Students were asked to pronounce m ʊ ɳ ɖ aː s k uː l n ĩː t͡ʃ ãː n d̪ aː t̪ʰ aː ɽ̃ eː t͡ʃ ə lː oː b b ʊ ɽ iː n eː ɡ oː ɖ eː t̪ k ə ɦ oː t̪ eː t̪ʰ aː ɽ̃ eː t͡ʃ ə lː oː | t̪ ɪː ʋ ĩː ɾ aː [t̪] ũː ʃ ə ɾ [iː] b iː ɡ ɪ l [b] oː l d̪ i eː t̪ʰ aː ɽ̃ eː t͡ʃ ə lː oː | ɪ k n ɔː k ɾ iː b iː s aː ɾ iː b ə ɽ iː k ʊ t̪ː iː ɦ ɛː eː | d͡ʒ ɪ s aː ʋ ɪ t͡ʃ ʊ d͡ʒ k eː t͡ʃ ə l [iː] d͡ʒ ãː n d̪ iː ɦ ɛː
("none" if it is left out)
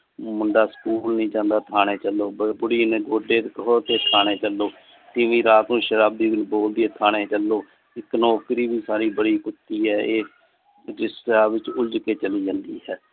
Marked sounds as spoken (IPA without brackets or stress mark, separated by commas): t̪, aː, b, iː